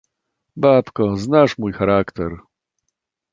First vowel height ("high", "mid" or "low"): low